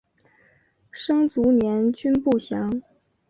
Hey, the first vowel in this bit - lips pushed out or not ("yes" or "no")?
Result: no